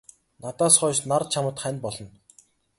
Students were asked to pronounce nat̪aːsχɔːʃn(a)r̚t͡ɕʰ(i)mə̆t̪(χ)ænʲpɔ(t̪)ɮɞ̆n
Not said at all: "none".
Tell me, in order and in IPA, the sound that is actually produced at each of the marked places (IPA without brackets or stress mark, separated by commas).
a, a, χ, none